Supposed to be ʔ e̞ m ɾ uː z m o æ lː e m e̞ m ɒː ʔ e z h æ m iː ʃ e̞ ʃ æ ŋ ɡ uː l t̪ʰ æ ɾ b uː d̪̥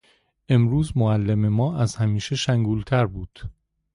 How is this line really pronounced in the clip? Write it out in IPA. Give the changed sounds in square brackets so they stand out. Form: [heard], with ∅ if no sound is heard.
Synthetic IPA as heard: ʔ e̞ m ɾ uː z m o æ lː e m e̞ m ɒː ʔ [æ] z h æ m iː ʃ e̞ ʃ æ ŋ ɡ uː l t̪ʰ æ ɾ b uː d̪̥